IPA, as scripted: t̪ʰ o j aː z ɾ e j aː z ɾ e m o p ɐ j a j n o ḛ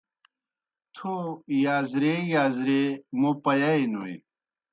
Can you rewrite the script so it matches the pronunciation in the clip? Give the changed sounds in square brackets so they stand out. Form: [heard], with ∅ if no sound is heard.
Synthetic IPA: t̪ʰ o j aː z ɾ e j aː z ɾ e m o p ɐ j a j n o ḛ

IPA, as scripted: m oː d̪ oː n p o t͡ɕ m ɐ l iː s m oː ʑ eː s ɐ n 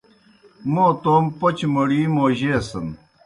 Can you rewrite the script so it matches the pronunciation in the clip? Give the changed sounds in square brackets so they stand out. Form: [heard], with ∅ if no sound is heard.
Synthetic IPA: m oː [t̪] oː [m] p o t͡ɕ m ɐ [ɽ] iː [∅] m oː ʑ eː s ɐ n

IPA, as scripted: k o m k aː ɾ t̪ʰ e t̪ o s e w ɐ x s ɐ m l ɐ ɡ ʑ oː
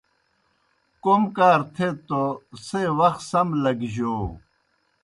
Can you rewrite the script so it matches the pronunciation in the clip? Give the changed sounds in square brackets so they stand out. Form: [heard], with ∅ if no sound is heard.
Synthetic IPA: k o m k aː ɾ t̪ʰ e t̪ o s e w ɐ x s ɐ m l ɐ ɡ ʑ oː

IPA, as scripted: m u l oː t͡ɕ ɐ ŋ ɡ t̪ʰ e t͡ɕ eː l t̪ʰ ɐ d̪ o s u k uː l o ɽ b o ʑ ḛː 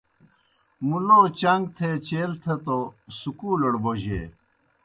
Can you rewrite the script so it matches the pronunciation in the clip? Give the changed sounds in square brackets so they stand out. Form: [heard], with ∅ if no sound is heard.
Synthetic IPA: m u l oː t͡ɕ ɐ ŋ ɡ t̪ʰ e t͡ɕ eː l t̪ʰ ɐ [t̪] o s u k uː l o ɽ b o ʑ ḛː

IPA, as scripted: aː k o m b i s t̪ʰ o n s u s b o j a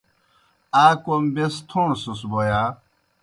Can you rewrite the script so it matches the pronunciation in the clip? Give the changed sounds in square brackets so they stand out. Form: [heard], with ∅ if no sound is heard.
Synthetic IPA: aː k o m b [e] s t̪ʰ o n s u s b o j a

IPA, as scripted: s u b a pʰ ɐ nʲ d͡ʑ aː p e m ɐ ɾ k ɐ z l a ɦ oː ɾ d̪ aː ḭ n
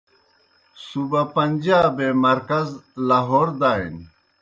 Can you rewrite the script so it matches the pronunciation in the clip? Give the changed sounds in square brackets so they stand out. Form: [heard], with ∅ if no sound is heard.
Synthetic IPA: s u b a [p] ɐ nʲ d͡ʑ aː [b] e m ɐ ɾ k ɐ z l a ɦ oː ɾ d̪ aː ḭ n

